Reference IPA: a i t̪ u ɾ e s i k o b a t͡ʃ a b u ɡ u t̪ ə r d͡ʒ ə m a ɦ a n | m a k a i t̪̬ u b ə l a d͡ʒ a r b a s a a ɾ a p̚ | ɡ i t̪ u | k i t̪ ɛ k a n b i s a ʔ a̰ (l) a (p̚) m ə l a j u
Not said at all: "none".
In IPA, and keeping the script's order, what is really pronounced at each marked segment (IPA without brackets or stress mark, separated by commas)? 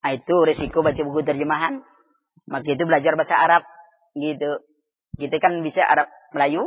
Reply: ɾ, p̚